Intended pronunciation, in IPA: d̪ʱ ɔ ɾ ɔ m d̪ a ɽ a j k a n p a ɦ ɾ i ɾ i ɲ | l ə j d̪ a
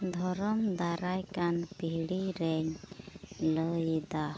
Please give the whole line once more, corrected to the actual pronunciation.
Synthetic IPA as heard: d̪ʱ ɔ ɾ ɔ m d̪ a ɾ a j k a n p i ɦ ɽ i ɾ ɛ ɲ | l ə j d̪ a